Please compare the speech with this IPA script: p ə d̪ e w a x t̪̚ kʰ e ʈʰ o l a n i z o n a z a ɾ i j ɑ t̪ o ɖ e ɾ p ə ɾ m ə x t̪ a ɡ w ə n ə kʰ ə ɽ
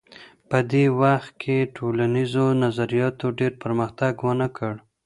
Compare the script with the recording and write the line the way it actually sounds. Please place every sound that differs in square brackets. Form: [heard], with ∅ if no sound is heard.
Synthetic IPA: p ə d̪ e w a x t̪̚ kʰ e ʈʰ o l a n i z o n a z a ɾ i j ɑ t̪ o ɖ e ɾ p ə ɾ m ə x t̪ a ɡ w ə n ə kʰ ə ɽ